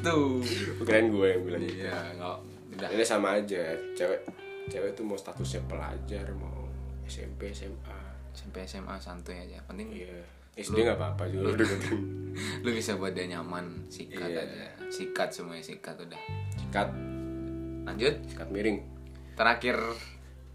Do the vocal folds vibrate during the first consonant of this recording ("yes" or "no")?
no